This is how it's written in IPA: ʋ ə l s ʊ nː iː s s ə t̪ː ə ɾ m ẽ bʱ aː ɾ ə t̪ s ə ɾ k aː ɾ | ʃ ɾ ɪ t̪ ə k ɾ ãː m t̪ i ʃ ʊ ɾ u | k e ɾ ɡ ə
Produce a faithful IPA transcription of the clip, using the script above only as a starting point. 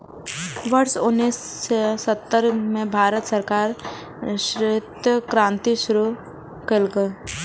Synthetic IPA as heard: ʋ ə ɾ s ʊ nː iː s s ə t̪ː ə ɾ m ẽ bʱ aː ɾ ə t̪ s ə ɾ k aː ɾ | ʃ ɾ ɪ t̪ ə k ɾ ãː n t̪ i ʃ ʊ ɾ u | k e l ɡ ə